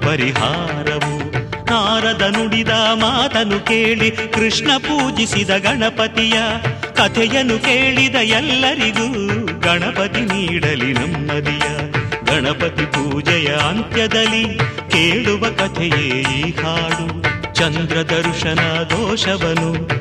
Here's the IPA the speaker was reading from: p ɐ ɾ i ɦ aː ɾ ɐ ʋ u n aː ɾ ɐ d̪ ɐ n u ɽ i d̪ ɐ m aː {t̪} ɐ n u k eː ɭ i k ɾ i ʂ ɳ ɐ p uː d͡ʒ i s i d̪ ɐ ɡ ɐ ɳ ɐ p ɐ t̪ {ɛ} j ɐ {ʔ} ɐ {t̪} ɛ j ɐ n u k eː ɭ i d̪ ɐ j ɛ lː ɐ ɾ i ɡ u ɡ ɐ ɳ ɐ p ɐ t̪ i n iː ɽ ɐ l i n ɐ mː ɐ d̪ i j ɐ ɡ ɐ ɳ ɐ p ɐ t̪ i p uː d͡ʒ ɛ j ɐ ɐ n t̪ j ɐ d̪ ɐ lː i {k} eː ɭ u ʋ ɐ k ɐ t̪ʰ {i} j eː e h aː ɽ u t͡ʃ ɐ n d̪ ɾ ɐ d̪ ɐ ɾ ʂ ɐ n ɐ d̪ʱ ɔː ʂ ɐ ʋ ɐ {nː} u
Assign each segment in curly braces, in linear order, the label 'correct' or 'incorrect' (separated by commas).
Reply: correct, incorrect, incorrect, incorrect, correct, incorrect, incorrect